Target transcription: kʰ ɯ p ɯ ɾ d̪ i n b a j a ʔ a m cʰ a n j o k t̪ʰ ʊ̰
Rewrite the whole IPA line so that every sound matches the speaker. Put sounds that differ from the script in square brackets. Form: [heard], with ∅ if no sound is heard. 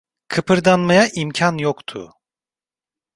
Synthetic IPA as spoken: kʰ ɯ p ɯ ɾ d̪ [a] n [m] a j a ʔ [i] m cʰ a n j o k t̪ʰ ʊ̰